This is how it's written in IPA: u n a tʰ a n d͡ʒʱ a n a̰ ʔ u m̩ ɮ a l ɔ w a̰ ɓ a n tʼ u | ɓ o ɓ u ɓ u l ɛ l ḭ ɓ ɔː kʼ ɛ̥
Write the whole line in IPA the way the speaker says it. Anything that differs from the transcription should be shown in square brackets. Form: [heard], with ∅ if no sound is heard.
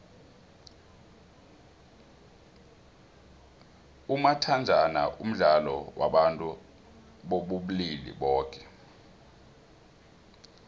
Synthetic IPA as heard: u [m] a tʰ a n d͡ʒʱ a n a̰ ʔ u m̩ ɮ a l ɔ w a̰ ɓ a n tʼ u | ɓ o ɓ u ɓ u l [i] l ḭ ɓ ɔː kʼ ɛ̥